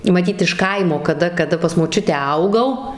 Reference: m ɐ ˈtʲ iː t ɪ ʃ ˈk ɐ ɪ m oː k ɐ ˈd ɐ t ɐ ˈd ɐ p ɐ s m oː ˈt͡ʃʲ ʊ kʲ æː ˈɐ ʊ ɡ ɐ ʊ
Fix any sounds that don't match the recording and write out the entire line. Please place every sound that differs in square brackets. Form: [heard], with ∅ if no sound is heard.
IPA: m ɐ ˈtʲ iː t ɪ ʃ ˈk ɐ ɪ m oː k ɐ ˈd ɐ [k] ɐ ˈd ɐ p ɐ s m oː ˈt͡ʃʲ ʊ [tʲ] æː ˈɐ ʊ ɡ ɐ ʊ